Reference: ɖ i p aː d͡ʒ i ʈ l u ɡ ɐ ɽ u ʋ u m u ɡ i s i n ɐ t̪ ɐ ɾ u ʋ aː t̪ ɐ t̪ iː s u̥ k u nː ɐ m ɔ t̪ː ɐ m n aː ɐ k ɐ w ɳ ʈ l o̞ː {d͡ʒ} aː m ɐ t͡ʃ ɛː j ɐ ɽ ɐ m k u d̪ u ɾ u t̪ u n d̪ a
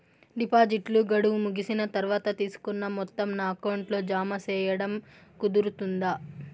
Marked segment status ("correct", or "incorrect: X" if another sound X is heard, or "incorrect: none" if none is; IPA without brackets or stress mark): correct